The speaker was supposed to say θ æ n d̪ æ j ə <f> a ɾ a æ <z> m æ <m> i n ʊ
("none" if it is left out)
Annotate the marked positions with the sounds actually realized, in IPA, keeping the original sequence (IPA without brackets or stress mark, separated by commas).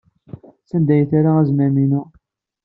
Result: θ, z, m